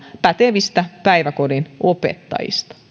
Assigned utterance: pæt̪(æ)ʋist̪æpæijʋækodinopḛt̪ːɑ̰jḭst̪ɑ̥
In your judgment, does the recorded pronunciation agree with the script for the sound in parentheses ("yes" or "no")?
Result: no